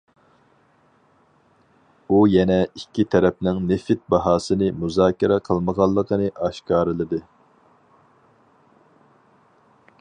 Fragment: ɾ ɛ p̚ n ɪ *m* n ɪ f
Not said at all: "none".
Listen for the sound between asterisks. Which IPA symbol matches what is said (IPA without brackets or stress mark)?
ŋ